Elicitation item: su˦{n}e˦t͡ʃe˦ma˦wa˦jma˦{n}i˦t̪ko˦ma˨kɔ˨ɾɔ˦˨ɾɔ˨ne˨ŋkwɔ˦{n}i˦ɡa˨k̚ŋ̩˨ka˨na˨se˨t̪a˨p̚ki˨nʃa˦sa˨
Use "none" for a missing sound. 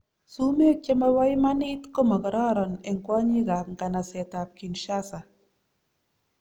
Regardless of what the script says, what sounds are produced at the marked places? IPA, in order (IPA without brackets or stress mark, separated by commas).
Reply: m, n, ɲ